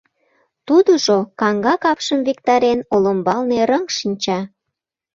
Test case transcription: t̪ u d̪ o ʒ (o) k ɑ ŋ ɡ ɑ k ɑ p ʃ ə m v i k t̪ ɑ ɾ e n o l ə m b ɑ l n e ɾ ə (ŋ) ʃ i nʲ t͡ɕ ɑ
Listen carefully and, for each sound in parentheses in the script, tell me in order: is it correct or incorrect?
correct, correct

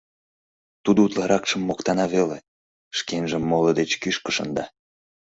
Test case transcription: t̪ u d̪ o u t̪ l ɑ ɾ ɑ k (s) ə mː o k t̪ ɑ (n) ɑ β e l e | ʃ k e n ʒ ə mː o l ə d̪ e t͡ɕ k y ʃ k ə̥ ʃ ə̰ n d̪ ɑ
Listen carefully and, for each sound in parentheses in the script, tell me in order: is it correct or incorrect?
incorrect, correct

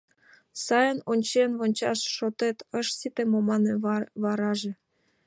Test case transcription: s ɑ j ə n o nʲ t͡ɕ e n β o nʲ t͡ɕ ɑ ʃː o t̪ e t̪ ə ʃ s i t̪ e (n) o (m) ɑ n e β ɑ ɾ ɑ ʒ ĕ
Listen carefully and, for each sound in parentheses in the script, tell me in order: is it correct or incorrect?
incorrect, correct

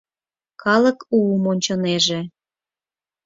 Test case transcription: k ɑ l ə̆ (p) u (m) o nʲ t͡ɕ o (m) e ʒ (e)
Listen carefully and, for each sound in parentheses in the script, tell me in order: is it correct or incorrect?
incorrect, correct, incorrect, correct

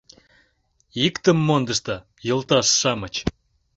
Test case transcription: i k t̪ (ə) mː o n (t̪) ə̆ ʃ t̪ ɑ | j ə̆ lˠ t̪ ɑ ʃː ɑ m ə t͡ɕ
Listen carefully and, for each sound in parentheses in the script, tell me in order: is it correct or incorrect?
correct, incorrect

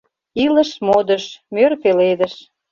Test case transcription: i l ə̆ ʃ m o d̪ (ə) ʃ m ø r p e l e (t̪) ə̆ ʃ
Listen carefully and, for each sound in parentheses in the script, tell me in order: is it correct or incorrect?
correct, incorrect

